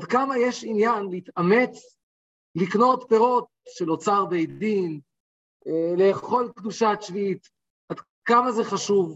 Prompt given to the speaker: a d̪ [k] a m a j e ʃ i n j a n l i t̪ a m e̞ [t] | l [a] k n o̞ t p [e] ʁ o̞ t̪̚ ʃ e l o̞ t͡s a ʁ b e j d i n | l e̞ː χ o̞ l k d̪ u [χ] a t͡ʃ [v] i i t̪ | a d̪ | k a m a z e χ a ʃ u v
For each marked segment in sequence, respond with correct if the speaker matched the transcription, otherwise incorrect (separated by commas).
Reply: correct, incorrect, incorrect, correct, incorrect, correct